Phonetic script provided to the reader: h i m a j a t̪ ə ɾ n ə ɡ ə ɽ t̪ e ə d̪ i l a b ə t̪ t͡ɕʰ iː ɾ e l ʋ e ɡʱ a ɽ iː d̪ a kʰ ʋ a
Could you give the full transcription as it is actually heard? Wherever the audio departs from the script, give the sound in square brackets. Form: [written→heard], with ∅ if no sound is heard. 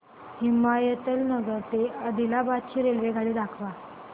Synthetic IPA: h i m a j [a→ə] t̪ ə [ɾ→l] n ə ɡ ə [ɽ→ɾ] t̪ e ə d̪ i l a b [ə→a] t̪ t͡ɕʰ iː ɾ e l ʋ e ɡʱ a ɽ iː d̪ a kʰ ʋ a